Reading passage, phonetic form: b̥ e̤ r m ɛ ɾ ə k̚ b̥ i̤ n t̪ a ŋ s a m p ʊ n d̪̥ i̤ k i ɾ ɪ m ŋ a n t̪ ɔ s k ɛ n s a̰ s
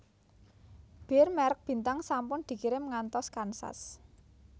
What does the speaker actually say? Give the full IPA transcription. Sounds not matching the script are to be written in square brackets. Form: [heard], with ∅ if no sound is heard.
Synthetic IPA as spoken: b̥ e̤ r m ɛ ɾ ə k̚ b̥ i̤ n t̪ a ŋ s a m p ʊ n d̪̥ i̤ k i ɾ ɪ m ŋ a n t̪ ɔ s k [a] n s a̰ s

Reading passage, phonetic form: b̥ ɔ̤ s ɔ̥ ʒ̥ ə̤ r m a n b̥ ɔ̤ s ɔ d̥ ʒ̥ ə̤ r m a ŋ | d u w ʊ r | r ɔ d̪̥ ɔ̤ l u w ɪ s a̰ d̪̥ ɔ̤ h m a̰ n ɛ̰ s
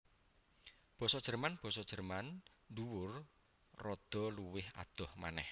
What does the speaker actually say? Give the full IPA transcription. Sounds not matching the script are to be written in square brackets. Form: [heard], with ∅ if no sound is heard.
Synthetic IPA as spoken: b̥ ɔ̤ s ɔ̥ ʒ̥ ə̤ r m a n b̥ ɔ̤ s ɔ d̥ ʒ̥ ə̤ r m a [n] | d u w ʊ r | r ɔ d̪̥ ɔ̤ l u w ɪ [h] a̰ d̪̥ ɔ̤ h m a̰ n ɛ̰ [h]

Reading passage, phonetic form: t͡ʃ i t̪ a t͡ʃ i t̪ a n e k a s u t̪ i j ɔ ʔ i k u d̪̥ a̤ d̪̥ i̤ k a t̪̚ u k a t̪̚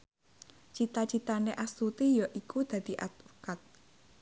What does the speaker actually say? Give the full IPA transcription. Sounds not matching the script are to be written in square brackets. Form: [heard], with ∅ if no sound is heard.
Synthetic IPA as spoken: t͡ʃ i t̪ a t͡ʃ i t̪ a n e [ʔ] a s u t̪ i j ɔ ʔ i k u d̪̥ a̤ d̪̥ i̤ [ʔ] a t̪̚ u k a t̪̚

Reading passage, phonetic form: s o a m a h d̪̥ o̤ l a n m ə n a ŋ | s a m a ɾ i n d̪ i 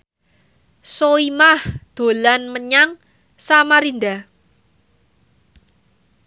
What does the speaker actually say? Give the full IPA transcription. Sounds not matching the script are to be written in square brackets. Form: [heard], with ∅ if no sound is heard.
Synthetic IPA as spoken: s o [i] m a h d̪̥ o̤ l a n m ə [ɲ] a ŋ | s a m a ɾ i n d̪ [a]

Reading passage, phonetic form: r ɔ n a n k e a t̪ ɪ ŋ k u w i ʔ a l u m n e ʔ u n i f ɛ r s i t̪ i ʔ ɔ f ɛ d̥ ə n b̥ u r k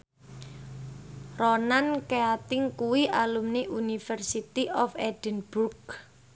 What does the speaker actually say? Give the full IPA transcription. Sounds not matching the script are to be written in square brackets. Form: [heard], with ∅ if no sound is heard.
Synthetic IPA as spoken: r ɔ n a n k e a t̪ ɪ ŋ k u w i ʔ a l u m n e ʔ u n i f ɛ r s i t̪ i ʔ ɔ f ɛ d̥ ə n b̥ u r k

